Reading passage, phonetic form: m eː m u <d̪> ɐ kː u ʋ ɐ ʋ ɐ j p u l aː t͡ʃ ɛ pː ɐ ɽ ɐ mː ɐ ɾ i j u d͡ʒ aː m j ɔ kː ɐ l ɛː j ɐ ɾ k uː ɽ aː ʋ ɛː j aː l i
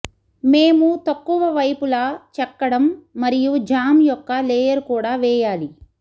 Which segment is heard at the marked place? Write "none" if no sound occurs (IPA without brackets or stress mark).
t̪